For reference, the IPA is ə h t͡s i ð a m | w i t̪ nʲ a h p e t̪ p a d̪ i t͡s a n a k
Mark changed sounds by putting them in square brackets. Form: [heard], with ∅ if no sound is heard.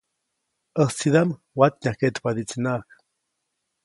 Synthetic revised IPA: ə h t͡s i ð a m | w [a] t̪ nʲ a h [k] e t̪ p a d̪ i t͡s [i] n a k